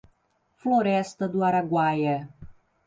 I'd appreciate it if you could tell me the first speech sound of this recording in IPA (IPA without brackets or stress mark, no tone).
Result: f